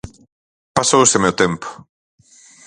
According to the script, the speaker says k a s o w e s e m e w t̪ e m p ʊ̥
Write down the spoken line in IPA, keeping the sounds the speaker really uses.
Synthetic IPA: p a s o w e s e m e w t̪ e m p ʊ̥